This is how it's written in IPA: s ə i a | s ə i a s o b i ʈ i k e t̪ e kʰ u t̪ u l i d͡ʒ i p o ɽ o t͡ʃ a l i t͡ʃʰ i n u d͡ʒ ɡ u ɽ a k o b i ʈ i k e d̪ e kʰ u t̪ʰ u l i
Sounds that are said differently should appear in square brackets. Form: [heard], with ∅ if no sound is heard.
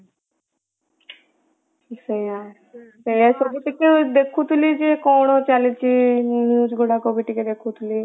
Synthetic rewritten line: s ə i a | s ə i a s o b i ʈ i k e [d̪] e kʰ u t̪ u l i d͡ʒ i [k] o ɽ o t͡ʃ a l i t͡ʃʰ i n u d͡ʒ ɡ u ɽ a k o b i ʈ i k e d̪ e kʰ u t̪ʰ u l i

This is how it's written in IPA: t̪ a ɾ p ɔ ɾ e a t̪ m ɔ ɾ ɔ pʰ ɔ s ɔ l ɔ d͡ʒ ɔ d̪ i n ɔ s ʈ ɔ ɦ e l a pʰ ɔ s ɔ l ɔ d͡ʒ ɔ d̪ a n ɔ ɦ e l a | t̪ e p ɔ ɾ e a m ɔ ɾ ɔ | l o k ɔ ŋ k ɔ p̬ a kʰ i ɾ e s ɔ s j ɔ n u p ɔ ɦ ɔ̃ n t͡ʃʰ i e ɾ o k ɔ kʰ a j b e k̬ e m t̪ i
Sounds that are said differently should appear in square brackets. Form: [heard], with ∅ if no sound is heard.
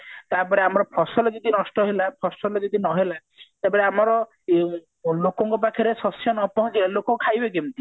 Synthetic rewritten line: t̪ a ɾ p ɔ ɾ e a [∅] m ɔ ɾ ɔ pʰ ɔ s ɔ l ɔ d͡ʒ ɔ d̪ i n ɔ s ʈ ɔ ɦ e l a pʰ ɔ s ɔ l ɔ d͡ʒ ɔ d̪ [i] n ɔ ɦ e l a | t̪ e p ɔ ɾ e a m ɔ ɾ ɔ | l o k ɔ ŋ k ɔ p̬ a kʰ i ɾ e s ɔ s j ɔ n [ɔ] p ɔ ɦ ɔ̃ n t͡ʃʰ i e [l] o k ɔ kʰ a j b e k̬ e m t̪ i

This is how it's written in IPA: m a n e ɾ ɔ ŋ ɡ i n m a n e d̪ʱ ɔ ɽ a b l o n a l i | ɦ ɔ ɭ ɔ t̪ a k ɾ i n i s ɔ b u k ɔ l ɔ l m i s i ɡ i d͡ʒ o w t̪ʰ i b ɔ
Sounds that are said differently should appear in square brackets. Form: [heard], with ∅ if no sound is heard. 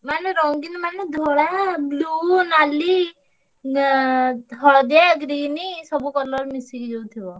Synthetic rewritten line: m a n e ɾ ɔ ŋ ɡ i n m a n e d̪ʱ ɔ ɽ a b l [u] n a l i | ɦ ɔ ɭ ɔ [d̪] a [ɡ] ɾ i n i s ɔ b u k ɔ l ɔ [ɾ] m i s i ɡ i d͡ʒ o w t̪ʰ i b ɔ

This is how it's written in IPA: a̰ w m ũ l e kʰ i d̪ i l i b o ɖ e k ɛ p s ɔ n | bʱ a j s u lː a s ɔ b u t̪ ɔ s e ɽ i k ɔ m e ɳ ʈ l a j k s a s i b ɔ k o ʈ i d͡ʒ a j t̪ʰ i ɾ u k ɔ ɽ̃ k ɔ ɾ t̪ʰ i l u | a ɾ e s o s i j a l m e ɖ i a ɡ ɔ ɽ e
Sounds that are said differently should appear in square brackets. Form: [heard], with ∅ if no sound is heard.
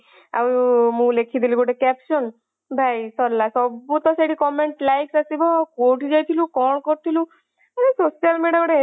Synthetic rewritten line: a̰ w m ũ l e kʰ i d̪ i l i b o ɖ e k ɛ p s ɔ n | bʱ a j s [ɔ] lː a s ɔ b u t̪ ɔ s e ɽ i k ɔ m e ɳ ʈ l a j k s a s i b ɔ k o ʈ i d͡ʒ a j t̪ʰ i [l] u k ɔ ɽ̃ k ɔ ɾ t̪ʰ i l u | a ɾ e s o s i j a l m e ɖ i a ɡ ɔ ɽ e

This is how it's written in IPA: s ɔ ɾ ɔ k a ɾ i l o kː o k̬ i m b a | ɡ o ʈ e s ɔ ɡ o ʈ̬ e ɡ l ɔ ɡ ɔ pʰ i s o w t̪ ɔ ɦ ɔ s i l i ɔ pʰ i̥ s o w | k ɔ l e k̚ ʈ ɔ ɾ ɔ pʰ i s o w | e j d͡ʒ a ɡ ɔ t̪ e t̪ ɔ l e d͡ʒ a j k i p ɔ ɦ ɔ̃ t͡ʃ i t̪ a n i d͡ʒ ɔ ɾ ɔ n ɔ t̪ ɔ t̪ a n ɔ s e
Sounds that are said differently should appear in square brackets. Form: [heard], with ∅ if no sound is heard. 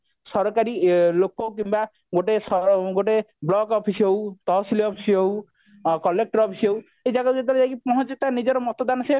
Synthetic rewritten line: s ɔ ɾ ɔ k a ɾ i l o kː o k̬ i m b a | ɡ o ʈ e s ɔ ɡ o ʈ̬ e [b] l ɔ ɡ ɔ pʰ i s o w t̪ ɔ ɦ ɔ s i l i ɔ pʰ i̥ s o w | k ɔ l e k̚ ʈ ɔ ɾ ɔ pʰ i s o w | e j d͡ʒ a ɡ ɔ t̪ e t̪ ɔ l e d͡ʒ a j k i p ɔ ɦ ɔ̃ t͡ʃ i t̪ a n i d͡ʒ ɔ ɾ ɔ [m] ɔ t̪ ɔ [d̪] a n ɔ s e

